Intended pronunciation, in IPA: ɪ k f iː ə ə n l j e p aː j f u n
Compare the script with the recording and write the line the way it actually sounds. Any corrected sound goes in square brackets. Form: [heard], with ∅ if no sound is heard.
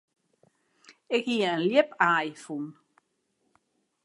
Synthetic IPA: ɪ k [h] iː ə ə n l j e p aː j f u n